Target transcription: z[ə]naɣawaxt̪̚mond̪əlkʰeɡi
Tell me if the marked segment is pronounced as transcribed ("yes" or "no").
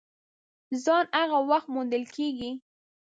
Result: no